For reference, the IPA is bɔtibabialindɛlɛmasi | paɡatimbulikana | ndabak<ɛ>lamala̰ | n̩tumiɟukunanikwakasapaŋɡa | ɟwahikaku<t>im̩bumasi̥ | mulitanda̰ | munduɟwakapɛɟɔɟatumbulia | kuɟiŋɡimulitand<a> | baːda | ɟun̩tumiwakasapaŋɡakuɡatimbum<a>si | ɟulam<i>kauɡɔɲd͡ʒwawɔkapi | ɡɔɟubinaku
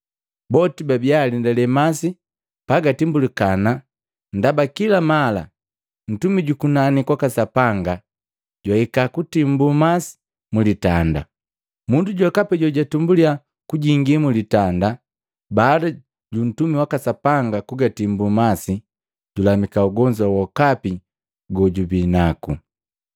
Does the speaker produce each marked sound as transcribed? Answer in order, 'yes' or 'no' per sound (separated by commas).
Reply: no, yes, yes, yes, yes